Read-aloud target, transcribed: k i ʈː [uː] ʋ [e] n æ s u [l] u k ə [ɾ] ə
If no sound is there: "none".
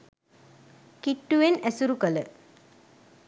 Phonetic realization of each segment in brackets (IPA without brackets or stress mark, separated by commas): u, e, ɾ, l